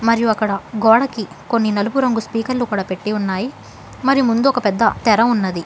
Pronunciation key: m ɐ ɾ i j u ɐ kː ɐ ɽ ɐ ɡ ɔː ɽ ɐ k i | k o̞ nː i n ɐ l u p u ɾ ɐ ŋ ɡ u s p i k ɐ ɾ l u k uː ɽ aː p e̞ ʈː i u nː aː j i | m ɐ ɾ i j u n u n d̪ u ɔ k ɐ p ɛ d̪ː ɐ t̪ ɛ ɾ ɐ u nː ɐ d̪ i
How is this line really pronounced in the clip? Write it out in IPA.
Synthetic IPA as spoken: m ɐ ɾ i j u ɐ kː ɐ ɽ ɐ ɡ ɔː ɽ ɐ k i | k o̞ nː i n ɐ l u p u ɾ ɐ ŋ ɡ u s p iː k ɐ ɾ l u k uː ɽ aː p e̞ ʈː i u nː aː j i | m ɐ ɾ i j u m u n d̪ u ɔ k ɐ p ɛ d̪ː ɐ t̪ ɛ ɾ ɐ u nː ɐ d̪ i